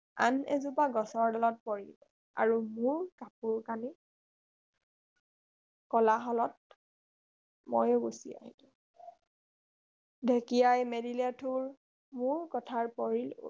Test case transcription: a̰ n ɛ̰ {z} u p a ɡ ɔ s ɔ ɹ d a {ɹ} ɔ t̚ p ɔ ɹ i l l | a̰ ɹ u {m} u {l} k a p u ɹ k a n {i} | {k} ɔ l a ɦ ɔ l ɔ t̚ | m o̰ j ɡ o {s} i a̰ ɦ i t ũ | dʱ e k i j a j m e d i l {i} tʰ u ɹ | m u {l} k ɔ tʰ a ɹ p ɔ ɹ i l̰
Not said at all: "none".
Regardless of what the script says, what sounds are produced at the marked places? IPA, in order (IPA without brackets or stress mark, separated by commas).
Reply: z, l, m, ɹ, i, k, s, a, ɹ